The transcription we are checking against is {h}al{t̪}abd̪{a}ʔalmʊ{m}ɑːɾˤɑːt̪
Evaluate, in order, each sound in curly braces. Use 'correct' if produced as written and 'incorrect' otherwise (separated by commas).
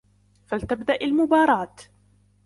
incorrect, correct, correct, incorrect